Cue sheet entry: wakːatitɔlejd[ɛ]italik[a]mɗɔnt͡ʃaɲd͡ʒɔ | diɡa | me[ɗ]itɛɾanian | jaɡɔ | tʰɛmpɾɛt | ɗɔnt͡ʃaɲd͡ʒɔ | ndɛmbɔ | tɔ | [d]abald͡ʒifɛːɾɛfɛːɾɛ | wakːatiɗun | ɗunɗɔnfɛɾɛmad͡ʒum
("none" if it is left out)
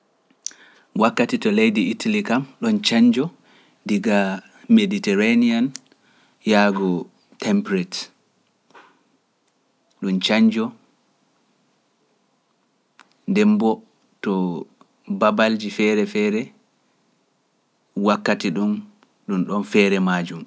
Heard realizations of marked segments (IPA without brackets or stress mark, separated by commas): i, a, d, b